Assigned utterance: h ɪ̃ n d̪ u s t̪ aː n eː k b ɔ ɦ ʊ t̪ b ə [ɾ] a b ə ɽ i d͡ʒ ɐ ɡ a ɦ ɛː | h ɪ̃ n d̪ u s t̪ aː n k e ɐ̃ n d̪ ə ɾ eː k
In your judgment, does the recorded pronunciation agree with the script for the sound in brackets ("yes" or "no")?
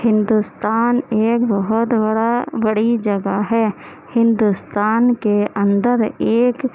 no